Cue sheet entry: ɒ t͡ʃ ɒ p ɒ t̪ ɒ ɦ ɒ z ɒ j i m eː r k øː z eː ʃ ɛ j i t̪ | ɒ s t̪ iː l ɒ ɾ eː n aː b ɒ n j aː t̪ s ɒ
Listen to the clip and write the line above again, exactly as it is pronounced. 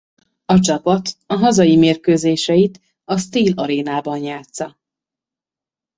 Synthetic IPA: ɒ t͡ʃ ɒ p ɒ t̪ ɒ ɦ ɒ z ɒ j i m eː r k øː z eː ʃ ɛ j i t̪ | ɒ s t̪ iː l ɒ ɾ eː n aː b ɒ n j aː t̪ s ɒ